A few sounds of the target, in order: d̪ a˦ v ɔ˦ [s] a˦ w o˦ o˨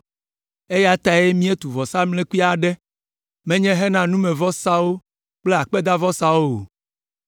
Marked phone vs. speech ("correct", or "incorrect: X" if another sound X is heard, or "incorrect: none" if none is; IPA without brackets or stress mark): correct